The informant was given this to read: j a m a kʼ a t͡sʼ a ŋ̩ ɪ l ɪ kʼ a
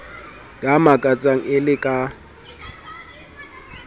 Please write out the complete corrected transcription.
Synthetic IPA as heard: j a m a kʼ a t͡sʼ a ŋ̩ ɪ l ɪ kʼ a